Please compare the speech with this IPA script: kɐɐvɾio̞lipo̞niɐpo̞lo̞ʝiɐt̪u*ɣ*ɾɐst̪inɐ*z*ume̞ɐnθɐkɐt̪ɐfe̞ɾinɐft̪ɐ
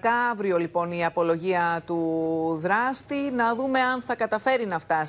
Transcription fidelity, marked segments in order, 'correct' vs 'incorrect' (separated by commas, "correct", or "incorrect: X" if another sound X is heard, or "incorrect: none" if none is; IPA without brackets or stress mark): incorrect: ð, incorrect: ð